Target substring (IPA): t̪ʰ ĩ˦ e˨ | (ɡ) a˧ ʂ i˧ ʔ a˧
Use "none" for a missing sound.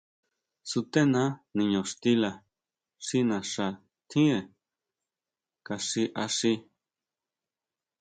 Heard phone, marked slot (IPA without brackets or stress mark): k